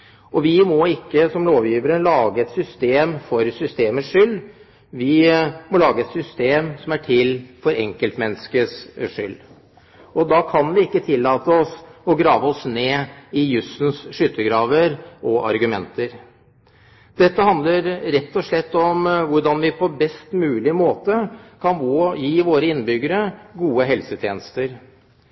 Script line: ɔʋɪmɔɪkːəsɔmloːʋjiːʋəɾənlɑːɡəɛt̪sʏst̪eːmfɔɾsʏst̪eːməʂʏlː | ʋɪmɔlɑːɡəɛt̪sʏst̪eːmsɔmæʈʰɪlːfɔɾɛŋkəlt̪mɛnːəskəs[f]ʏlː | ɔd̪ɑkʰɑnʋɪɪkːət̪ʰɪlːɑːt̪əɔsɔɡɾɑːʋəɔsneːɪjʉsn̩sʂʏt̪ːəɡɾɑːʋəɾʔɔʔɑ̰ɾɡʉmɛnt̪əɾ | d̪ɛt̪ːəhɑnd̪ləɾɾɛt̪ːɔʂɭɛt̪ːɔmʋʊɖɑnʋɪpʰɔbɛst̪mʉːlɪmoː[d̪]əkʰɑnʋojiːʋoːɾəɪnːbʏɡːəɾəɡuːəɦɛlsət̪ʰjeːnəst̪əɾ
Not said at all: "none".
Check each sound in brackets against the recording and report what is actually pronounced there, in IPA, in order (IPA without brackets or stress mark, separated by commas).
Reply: ʂ, t̪